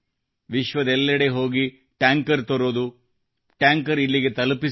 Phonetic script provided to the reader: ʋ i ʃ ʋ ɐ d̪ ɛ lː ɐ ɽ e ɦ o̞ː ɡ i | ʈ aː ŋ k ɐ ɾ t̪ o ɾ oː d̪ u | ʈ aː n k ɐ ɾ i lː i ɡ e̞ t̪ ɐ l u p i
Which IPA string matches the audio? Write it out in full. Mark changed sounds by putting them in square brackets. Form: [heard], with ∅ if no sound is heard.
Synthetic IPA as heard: ʋ i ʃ ʋ ɐ d̪ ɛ lː ɐ ɽ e ɦ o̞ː ɡ i | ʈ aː ŋ k ɐ ɾ t̪ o ɾ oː d̪ u | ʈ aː [ŋ] k ɐ ɾ i lː i ɡ e̞ t̪ ɐ l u p i